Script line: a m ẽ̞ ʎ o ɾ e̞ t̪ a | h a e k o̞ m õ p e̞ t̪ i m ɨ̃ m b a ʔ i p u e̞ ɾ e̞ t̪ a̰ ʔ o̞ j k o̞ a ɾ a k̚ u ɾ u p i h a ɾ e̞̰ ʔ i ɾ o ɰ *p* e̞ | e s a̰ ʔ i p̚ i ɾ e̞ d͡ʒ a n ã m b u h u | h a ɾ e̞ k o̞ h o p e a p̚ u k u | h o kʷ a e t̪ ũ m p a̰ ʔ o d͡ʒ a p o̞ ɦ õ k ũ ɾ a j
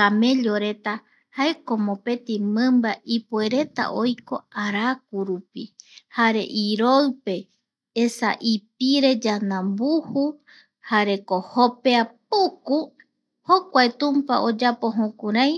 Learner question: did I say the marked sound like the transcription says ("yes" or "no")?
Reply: yes